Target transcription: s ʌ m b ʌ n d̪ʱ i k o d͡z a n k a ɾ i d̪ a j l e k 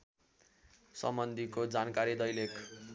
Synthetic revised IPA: s ʌ m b ʌ n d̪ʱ i k o d͡z a n k a ɾ i d̪ ʌ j l e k